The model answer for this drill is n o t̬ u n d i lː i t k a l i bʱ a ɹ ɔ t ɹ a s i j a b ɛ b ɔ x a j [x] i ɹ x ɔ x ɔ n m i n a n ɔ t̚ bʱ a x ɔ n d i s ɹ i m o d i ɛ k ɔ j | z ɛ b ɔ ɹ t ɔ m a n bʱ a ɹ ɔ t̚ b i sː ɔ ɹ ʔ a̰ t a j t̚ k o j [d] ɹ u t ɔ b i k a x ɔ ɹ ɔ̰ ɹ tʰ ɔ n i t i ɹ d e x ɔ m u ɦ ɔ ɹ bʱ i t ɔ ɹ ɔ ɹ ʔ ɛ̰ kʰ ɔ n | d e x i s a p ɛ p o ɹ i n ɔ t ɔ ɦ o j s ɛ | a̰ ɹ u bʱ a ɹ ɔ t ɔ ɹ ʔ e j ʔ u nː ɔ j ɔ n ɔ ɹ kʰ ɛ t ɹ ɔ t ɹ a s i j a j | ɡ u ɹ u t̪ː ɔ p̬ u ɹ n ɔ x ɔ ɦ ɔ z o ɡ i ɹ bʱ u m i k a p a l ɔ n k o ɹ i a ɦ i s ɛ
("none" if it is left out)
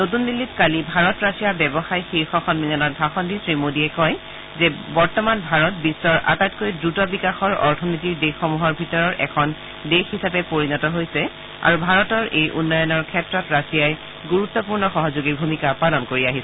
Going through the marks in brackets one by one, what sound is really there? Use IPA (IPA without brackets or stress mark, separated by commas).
x, d